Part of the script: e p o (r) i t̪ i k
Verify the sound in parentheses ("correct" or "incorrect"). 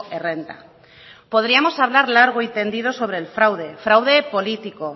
incorrect